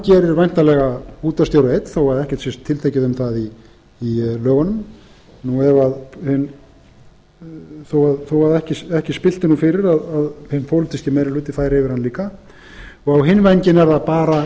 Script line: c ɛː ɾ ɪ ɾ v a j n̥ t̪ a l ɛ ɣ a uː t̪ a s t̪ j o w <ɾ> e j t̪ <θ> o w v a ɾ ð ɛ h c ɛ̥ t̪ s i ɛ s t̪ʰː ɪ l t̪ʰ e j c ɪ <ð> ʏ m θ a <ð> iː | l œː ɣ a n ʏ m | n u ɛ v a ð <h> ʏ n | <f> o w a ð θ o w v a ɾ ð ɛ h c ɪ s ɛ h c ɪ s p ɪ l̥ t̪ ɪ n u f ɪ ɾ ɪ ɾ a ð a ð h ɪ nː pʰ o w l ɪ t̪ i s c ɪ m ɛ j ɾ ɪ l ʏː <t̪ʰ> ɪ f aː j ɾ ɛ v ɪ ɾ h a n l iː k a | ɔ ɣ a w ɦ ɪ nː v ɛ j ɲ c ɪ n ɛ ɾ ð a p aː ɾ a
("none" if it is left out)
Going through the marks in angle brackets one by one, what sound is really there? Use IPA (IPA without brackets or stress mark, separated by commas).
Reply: ɾ, θ, ð, ð, h, θ, t̪